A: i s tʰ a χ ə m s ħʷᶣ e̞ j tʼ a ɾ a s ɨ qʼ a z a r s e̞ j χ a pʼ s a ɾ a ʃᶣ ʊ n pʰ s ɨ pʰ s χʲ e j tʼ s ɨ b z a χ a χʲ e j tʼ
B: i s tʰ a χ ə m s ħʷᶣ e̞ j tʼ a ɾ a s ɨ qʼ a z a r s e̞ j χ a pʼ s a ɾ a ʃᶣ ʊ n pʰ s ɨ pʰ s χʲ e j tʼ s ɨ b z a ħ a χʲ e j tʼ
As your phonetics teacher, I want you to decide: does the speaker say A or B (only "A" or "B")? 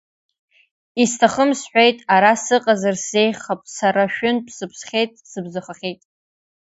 A